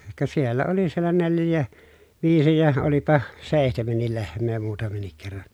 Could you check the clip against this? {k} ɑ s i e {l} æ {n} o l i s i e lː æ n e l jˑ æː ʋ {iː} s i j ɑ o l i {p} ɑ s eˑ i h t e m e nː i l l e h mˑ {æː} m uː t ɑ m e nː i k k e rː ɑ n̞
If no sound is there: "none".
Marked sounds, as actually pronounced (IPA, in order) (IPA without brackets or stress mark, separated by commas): k, lː, none, iː, p, eː